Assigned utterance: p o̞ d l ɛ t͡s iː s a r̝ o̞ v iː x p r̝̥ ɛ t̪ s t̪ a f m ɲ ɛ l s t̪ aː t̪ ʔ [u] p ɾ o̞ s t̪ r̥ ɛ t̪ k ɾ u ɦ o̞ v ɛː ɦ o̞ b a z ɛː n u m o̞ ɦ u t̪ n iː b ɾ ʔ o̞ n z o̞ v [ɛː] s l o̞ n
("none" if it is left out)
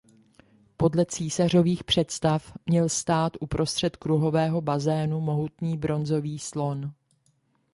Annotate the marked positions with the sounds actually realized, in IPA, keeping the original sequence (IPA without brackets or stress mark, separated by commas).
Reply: u, iː